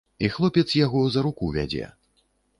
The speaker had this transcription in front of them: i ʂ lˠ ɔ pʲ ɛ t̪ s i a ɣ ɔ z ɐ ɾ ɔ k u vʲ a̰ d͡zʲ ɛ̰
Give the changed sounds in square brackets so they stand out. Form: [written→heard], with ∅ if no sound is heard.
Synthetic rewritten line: i [ʂ→x] lˠ ɔ pʲ ɛ t̪ s [i→j] a ɣ ɔ z ɐ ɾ [ɔ→u] k u vʲ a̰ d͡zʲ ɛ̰